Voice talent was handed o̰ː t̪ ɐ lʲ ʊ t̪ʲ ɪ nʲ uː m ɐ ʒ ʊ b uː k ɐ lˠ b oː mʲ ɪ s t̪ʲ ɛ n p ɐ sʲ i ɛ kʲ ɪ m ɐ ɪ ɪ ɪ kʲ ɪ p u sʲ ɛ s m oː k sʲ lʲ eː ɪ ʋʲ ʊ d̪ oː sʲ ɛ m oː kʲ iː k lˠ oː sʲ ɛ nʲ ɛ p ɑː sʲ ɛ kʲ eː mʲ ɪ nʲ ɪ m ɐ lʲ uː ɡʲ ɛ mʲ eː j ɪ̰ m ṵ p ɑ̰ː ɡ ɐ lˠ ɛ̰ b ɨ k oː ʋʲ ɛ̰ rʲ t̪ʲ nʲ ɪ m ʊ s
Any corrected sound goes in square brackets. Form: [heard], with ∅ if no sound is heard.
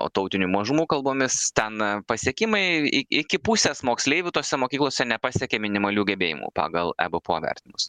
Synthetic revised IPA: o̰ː t̪ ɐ [∅] ʊ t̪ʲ ɪ nʲ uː m ɐ ʒ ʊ [m] uː k ɐ lˠ b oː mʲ ɪ s t̪ʲ ɛ n p ɐ sʲ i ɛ kʲ ɪ m ɐ ɪ ɪ ɪ kʲ ɪ p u sʲ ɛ s m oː k sʲ lʲ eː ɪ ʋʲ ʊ [t̪] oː sʲ ɛ m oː kʲ iː k lˠ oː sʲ ɛ nʲ ɛ p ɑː sʲ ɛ kʲ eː mʲ ɪ nʲ ɪ m ɐ lʲ uː ɡʲ ɛ [bʲ] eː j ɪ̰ m ṵ p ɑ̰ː ɡ ɐ lˠ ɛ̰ b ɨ [p] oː ʋʲ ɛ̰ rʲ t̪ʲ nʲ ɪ m ʊ s